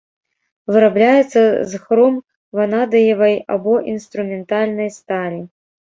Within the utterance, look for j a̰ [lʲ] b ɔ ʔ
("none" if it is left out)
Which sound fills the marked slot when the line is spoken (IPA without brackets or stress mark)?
none